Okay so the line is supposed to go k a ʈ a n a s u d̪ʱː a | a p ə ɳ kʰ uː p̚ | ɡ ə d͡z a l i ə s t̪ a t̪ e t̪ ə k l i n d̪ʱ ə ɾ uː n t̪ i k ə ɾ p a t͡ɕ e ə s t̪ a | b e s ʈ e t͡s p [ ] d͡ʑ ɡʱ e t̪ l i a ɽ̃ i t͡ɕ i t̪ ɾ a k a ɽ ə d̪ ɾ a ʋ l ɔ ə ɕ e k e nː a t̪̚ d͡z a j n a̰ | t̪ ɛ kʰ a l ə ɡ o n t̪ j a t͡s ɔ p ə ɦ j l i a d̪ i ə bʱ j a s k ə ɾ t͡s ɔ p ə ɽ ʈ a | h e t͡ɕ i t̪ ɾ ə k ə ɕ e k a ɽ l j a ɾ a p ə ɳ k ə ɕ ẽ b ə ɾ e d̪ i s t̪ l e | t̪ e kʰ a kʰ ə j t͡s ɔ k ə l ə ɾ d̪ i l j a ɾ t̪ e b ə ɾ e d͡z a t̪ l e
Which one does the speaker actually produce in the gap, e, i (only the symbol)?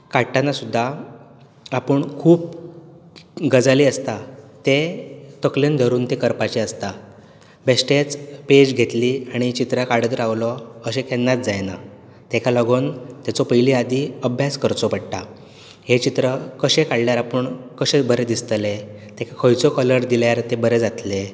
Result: e